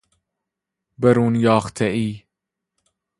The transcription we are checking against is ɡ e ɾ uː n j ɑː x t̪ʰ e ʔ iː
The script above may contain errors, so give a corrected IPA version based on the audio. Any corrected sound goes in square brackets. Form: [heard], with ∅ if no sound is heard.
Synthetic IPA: [b] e ɾ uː n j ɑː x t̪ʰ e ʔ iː